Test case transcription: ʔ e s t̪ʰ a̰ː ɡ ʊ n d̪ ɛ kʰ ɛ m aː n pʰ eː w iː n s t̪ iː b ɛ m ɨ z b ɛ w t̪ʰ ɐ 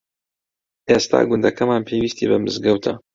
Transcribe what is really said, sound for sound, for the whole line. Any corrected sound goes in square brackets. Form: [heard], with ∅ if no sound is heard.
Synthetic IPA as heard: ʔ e s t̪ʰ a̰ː ɡ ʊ n d̪ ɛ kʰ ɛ m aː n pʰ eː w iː [∅] s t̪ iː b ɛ m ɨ z [ɡ] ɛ w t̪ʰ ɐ